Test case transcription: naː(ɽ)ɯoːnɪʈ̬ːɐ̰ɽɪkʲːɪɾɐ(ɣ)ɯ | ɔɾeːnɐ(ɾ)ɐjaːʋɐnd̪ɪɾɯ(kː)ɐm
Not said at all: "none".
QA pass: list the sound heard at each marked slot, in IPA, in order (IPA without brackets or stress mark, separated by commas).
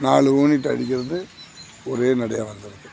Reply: ɭ, ð, ɽ, kː